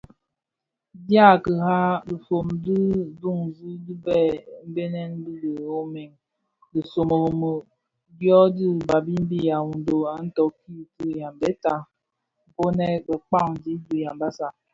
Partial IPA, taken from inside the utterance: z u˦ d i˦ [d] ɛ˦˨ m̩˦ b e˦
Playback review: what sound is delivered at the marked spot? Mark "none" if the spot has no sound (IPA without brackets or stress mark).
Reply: b